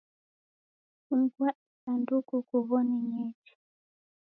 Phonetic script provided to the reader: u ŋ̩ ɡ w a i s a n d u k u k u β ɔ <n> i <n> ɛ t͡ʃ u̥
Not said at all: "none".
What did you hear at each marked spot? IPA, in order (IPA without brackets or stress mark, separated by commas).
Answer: n, ɲ